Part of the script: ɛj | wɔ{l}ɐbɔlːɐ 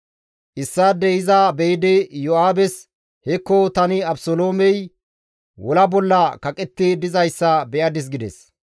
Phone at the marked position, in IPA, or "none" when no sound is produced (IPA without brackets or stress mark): l